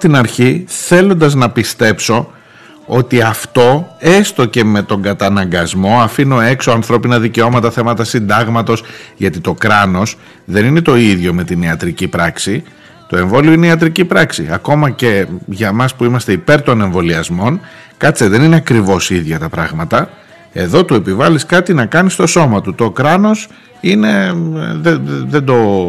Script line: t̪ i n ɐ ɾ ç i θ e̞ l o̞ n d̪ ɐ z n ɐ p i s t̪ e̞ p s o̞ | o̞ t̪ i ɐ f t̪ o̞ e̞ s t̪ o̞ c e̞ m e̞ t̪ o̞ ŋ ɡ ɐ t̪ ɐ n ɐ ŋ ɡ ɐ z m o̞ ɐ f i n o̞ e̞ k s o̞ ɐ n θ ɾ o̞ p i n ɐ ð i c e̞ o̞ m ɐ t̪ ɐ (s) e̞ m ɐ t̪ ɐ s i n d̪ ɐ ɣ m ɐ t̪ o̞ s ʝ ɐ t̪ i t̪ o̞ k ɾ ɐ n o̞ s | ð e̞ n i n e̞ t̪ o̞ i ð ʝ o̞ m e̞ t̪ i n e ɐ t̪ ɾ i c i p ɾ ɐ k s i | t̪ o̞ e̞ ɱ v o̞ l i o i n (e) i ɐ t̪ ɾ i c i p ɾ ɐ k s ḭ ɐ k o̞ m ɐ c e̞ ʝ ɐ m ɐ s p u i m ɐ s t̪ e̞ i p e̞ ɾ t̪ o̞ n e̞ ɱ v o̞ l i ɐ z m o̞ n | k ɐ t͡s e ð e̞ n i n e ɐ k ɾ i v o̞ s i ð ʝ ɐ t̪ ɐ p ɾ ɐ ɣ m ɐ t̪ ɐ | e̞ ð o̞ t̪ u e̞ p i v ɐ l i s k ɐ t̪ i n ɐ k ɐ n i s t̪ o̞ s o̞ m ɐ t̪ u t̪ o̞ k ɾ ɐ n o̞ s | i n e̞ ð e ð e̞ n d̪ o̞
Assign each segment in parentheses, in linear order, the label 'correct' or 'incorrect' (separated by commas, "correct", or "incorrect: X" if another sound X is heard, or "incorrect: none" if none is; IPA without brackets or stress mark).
incorrect: θ, correct